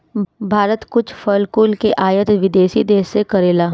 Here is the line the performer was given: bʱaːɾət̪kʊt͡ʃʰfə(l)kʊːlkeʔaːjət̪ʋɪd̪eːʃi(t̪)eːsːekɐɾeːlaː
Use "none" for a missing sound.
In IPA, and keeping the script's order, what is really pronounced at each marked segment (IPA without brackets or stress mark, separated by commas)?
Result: l, d̪